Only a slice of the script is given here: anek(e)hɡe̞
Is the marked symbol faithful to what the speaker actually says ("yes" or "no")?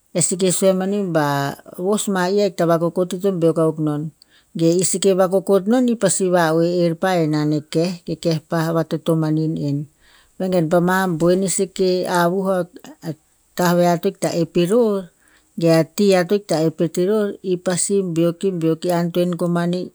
yes